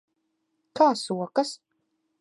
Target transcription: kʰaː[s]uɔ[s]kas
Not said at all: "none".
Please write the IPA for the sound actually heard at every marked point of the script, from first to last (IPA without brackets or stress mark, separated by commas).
s, none